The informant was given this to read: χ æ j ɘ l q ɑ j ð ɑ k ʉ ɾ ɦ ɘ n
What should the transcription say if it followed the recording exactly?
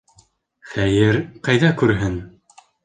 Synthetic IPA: χ æ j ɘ ɾ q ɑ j ð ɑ k ʉ ɾ ɦ ɘ n